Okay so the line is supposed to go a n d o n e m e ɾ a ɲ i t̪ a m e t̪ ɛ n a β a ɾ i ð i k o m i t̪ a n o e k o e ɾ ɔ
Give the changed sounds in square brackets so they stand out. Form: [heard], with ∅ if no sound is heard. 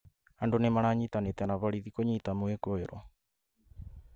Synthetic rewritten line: a n d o n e m [a] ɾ a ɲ i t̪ a [n] e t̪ ɛ n a β a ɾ i ð i k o [ɲ] i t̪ a [m] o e k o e ɾ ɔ

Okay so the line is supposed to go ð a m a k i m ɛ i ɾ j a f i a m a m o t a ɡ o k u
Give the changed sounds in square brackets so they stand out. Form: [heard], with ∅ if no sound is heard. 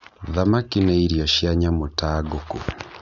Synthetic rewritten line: ð a m a k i [n] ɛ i ɾ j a [ʃ] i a [ɲ] a m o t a ɡ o k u

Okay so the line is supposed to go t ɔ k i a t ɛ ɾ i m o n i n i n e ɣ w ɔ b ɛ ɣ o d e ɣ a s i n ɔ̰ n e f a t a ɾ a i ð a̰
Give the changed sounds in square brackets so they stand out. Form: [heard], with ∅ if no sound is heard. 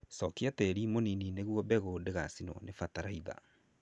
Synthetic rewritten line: [s] ɔ k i a t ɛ ɾ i m o n i n i n e ɣ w ɔ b ɛ ɣ o d e ɣ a s i n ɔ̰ n e f a t a ɾ a i ð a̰

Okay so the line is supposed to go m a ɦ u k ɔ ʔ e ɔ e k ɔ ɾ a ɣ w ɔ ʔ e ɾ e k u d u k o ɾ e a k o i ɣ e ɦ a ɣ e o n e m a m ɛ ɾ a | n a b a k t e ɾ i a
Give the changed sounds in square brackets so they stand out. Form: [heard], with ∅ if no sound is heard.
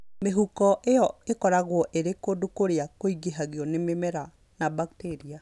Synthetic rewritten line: m [e] ɦ u k ɔ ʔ e ɔ e k ɔ ɾ a ɣ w ɔ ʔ e ɾ e k [o] d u k o ɾ e a k o i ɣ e ɦ a ɣ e [ɔ] n e m [e] m ɛ ɾ a | n a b a k t e ɾ i a

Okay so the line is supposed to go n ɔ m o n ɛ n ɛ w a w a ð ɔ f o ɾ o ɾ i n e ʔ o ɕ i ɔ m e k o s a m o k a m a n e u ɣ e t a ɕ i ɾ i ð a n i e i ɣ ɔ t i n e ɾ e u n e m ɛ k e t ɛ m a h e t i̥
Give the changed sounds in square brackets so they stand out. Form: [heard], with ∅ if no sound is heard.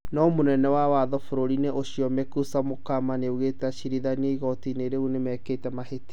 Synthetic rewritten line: n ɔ m o n ɛ n ɛ w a w a ð ɔ f o ɾ o ɾ i n e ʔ o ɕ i ɔ m e k [u] s a m o k a m a n e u ɣ e t a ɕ i ɾ i ð a n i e i ɣ ɔ t i n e ɾ e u n e m ɛ k e t ɛ m a h e t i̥

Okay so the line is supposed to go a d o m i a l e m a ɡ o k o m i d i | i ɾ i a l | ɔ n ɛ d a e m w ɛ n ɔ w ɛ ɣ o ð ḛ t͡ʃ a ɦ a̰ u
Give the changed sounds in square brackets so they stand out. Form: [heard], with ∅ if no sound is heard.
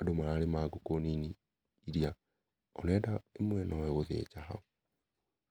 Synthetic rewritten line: a d o m [a] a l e m a ɡ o k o [n] i [n] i | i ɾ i a [∅] | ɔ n ɛ d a e m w ɛ n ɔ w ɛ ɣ o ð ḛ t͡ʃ a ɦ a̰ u

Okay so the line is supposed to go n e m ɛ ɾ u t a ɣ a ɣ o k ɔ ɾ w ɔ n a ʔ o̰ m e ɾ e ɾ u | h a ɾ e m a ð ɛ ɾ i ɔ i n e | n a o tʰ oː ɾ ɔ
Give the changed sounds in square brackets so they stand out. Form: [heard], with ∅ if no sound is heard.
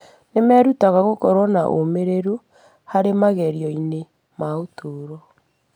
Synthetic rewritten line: n e m ɛ ɾ u t a ɣ a ɣ o k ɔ ɾ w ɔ n a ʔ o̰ m e ɾ e ɾ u | h a ɾ e m a [ɣ] ɛ ɾ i ɔ i n e | [m] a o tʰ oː ɾ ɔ

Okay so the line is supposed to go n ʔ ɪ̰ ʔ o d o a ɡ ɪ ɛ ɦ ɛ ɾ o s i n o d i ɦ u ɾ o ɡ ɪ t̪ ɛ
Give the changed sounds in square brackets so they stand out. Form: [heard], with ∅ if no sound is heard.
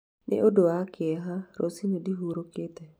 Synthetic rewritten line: n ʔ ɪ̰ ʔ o d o a [k] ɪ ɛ ɦ [a] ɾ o s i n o d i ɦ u ɾ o [k] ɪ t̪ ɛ

